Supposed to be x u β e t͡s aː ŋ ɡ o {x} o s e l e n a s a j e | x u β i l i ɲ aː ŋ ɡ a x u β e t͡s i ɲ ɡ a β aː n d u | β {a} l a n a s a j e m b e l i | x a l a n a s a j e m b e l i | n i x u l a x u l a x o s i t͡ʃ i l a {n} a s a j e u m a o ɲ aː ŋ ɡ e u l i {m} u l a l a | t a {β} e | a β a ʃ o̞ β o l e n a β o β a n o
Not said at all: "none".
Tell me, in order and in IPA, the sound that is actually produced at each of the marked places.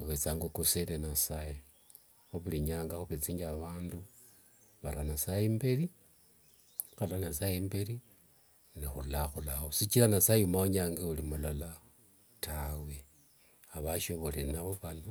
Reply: k, a, n, m, w

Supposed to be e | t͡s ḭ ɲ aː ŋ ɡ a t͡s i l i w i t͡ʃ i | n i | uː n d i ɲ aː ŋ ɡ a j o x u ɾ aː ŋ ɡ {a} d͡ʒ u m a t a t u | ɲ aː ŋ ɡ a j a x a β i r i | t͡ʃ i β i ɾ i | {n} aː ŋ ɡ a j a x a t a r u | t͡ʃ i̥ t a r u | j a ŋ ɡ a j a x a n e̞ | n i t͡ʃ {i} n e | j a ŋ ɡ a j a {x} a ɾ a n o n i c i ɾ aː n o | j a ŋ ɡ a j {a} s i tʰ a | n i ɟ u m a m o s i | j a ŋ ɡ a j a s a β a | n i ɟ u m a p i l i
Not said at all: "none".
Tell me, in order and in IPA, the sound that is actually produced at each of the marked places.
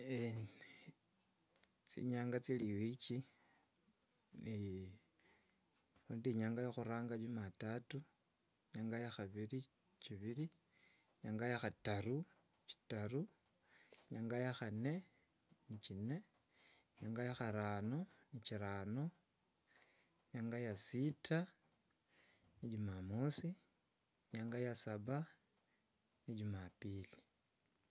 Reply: a, ɲ, i, x, a

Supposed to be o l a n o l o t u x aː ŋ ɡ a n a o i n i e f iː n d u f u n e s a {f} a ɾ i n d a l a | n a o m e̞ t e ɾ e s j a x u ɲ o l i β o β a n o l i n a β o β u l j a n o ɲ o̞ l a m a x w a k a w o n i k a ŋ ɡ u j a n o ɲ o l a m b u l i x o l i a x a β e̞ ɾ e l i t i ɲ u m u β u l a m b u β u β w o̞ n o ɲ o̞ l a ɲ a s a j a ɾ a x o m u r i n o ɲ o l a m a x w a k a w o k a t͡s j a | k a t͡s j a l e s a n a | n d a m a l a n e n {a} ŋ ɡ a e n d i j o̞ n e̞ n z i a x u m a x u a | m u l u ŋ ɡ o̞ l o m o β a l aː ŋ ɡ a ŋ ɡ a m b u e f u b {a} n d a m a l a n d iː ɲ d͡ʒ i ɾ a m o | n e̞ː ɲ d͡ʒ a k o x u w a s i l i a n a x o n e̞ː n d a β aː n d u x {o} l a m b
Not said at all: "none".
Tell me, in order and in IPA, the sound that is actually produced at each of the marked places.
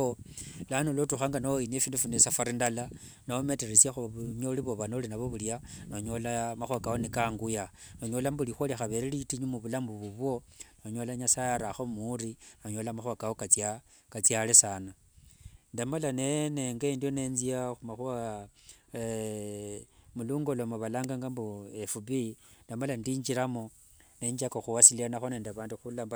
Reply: f, e, i, u

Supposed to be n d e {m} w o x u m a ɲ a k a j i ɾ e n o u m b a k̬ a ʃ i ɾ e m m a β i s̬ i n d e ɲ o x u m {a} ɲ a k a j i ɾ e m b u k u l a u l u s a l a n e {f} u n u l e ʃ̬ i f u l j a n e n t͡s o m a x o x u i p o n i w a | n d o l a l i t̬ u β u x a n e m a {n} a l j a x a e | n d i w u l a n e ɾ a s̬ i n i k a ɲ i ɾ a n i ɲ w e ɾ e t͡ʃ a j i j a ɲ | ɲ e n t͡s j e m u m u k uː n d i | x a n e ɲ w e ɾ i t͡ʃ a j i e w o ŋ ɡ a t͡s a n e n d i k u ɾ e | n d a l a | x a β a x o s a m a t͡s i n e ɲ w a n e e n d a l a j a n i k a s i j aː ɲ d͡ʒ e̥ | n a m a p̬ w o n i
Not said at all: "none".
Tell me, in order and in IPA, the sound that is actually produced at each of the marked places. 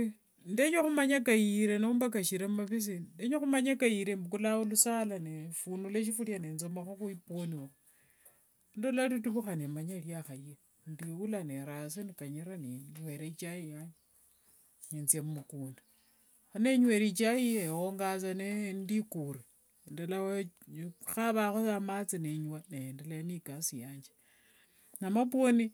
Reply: ɲ, a, f, ɲ

